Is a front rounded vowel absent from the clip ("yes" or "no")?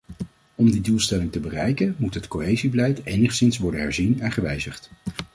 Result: yes